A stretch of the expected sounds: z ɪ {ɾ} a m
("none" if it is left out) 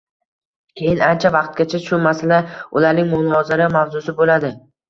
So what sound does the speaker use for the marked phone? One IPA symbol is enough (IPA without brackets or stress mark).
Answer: ɾ